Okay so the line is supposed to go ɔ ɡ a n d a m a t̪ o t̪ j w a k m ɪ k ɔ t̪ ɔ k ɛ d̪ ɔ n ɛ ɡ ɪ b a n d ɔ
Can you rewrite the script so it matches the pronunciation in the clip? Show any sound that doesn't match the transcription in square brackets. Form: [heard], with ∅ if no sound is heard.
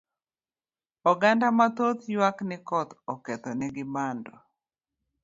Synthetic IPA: ɔ ɡ a n d a m a t̪ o t̪ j w a k [n] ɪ k ɔ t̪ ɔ k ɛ [t̪] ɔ n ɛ ɡ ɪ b a n d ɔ